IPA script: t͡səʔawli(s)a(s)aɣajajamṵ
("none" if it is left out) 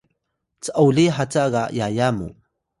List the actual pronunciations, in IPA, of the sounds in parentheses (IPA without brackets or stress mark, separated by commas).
ħ, t͡s